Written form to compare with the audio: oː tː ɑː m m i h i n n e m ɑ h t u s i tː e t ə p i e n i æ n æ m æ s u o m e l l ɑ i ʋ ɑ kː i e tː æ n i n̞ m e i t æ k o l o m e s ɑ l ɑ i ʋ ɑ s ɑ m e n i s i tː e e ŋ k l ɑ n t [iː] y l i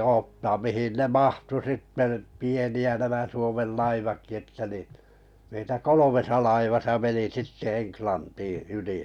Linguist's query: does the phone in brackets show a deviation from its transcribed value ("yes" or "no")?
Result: no